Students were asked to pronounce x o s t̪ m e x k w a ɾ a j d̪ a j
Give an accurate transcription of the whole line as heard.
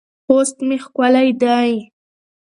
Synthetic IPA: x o s t̪ m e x k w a l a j d̪ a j